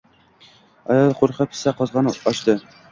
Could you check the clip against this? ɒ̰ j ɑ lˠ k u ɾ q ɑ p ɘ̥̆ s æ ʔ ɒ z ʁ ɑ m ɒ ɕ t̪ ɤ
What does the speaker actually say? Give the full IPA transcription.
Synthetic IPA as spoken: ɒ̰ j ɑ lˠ q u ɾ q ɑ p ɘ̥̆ s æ q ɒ z ʁ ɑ n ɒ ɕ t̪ ɤ